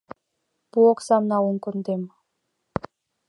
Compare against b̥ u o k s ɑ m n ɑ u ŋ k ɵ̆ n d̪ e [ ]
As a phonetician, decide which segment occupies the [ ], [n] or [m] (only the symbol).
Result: m